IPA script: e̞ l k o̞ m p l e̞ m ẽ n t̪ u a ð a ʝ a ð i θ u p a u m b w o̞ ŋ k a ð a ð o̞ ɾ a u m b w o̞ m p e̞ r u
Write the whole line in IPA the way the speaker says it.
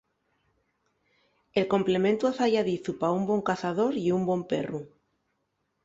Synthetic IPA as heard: e̞ l k o̞ m p l e̞ m ẽ n t̪ u a θ a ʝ a ð i θ u p a u m b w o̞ ŋ k a θ a ð o̞ ɾ i u m b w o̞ m p e̞ r u

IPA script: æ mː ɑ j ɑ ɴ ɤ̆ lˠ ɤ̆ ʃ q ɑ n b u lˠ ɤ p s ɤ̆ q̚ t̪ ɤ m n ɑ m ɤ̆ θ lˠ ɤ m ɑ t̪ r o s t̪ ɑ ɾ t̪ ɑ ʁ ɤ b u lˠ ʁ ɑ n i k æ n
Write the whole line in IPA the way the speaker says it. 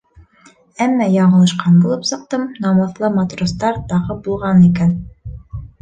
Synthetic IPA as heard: æ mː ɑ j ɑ ɴ ɤ̆ lˠ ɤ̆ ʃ q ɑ n b u lˠ ɤ p s ɤ̆ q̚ t̪ ɤ m n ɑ m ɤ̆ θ lˠ ɤ m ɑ t̪ r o s t̪ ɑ ɾ t̪ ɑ ʁ ɤ b u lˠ ʁ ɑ n i k æ n

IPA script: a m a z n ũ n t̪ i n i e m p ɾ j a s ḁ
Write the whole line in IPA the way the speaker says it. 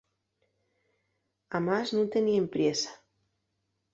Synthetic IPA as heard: a m a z n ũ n t̪ e n i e m p ɾ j e s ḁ

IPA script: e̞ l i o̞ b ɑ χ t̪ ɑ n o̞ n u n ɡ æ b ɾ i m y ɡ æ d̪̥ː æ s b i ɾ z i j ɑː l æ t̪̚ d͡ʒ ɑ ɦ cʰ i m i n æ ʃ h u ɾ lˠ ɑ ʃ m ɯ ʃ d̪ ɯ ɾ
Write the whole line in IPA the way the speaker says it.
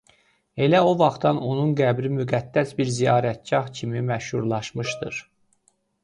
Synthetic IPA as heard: e̞ l æ o̞ v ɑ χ t̪ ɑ n o̞ n u n ɡ æ b ɾ i m y ɡ æ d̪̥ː æ s b i ɾ z i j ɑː ɾ æ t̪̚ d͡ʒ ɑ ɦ cʰ i m i m æ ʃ h u ɾ lˠ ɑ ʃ m ɯ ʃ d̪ ɯ ɾ

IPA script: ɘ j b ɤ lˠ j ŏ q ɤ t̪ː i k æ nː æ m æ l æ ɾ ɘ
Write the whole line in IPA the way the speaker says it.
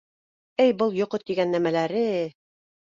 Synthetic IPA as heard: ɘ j b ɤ lˠ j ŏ q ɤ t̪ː i ɡ æ nː æ m æ l æ ɾ ɘ

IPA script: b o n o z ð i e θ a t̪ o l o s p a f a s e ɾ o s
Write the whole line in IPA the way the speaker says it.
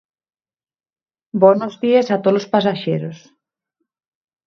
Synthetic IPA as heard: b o n o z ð i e s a t̪ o l o s p a s a ʃ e ɾ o s

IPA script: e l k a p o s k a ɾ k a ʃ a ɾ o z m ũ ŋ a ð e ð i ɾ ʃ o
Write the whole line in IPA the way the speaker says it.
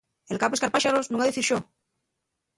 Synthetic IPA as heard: e l k a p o s k a ɾ p a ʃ a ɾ o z n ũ ŋ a ð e θ i ɾ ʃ o

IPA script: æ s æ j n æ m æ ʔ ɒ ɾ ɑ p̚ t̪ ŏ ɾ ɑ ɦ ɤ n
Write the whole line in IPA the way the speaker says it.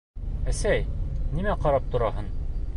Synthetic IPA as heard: æ s æ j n i m æ q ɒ ɾ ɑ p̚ t̪ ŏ ɾ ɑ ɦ ɤ n

